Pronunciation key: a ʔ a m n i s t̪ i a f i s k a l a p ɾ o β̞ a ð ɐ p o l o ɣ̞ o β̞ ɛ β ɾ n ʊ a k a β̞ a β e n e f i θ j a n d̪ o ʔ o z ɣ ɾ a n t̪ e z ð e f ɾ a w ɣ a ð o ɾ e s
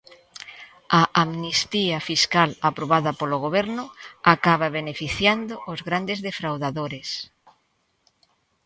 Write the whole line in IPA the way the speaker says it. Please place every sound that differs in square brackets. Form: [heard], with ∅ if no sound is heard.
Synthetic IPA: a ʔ a m n i s t̪ i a f i s k a l a p ɾ o β̞ a ð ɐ p o l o ɣ̞ o β̞ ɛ [∅] ɾ n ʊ a k a β̞ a β e n e f i θ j a n d̪ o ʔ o z ɣ ɾ a n [d̪] e z ð e f ɾ a w [ð] a ð o ɾ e s

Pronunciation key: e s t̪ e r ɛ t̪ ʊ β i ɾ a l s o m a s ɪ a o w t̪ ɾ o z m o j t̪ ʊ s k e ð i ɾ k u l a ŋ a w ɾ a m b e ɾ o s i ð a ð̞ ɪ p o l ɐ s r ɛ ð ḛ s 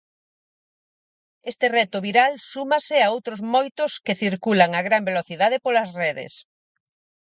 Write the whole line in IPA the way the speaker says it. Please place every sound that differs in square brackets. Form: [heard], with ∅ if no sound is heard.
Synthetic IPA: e s t̪ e r ɛ t̪ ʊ β i ɾ a l s [u] m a s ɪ a o w t̪ ɾ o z m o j t̪ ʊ s k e [θ] i ɾ k u l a ŋ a [ɣ] ɾ a m b e [l] o [θ] i ð a ð̞ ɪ p o l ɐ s r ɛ ð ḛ s

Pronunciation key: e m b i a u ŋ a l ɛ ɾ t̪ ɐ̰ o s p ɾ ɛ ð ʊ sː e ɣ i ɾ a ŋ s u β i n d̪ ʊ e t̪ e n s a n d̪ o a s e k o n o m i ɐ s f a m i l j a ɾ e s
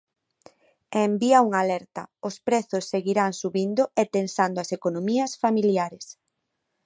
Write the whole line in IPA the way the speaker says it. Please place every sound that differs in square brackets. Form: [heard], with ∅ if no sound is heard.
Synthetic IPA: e m b i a u ŋ a l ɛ ɾ t̪ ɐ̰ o s p ɾ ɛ [θ] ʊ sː e ɣ i ɾ a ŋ s u β i n d̪ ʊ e t̪ e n s a n d̪ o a s e k o n o m i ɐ s f a m i l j a ɾ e s

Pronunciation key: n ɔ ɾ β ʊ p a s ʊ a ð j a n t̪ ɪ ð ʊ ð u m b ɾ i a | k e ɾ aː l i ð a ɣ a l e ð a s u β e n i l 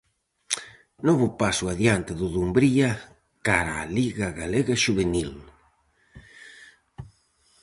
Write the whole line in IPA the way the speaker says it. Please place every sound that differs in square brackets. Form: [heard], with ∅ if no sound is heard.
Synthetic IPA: n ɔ [∅] β ʊ p a s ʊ a ð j a n t̪ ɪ ð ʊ ð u m b ɾ i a | k [a] ɾ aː l i [ɣ] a ɣ a l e [ɣ] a [ʃ] u β e n i l

